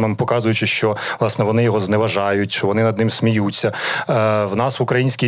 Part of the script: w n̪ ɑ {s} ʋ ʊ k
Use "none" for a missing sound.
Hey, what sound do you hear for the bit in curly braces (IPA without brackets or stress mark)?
s